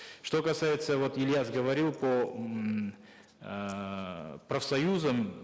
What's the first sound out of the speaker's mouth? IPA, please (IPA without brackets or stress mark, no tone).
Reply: ʂ